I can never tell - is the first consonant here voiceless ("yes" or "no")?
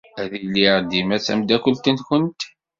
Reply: no